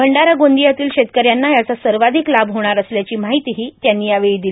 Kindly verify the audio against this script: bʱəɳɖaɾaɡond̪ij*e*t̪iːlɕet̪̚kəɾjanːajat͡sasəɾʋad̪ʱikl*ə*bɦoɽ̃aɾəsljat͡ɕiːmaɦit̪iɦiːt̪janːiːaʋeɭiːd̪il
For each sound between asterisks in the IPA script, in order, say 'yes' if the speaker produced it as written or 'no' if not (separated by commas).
no, no